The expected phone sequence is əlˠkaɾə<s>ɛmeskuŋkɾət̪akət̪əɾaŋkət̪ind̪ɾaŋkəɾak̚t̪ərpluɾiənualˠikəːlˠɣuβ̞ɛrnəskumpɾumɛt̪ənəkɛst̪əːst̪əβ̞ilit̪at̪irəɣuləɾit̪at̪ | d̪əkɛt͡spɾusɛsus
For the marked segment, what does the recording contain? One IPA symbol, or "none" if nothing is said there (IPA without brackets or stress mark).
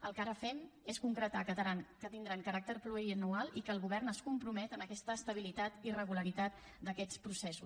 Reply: f